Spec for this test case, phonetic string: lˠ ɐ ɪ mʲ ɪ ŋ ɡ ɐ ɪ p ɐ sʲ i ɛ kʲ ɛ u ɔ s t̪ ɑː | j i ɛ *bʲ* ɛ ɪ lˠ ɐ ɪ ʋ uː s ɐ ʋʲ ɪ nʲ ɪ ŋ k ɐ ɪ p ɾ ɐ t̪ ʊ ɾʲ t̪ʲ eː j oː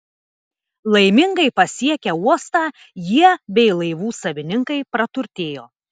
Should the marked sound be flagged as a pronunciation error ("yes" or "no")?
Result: no